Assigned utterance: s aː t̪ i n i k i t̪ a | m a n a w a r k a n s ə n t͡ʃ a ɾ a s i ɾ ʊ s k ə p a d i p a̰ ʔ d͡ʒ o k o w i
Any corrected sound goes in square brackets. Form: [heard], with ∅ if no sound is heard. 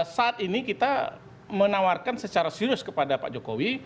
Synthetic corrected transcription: s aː t̪ i n i k i t̪ a | m [ə] n a w a r k a n s ə [∅] t͡ʃ a ɾ a s i ɾ ʊ s k ə p a d [a] p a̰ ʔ d͡ʒ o k o w i